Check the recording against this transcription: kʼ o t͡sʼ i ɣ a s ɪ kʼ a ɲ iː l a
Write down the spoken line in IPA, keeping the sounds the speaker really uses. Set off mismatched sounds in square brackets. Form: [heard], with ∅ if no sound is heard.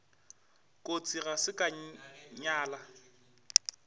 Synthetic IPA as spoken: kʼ o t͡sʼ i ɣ a s ɪ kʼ a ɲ [aː] l a

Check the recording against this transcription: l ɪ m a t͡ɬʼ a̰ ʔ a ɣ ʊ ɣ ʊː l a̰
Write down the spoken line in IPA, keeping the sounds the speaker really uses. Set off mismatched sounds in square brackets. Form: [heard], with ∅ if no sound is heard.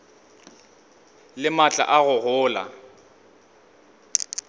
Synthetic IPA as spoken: l ɪ m a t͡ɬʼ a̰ ʔ a ɣ ʊ ɣ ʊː l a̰

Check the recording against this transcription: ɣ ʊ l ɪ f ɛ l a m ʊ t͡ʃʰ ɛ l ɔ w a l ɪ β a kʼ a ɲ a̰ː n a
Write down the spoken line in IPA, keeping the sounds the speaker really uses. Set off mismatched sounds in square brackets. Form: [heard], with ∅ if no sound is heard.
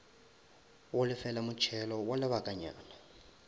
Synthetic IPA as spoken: [w] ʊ l ɪ f ɛ l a m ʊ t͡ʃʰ ɛ l ɔ w a l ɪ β a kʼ a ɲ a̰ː n a

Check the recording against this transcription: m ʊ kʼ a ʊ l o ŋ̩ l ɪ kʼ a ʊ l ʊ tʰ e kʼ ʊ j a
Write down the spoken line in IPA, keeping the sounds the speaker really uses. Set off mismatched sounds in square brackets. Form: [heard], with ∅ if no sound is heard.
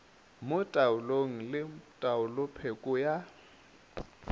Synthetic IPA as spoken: m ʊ [tʼ] a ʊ l o ŋ̩ l ɪ [tʼ] a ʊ l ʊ [pʰ] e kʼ ʊ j a

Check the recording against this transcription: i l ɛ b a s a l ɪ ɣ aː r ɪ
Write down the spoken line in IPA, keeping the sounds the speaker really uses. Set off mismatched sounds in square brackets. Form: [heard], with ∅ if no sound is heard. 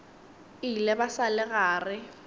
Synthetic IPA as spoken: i l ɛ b a s a l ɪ ɣ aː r ɪ

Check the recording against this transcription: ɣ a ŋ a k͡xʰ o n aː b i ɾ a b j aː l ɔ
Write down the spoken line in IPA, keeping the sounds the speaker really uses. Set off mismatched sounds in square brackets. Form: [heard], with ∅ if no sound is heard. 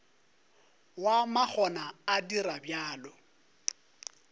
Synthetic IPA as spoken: [w] a [m] a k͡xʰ [ɔ] n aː [d] i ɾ a b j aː l ɔ

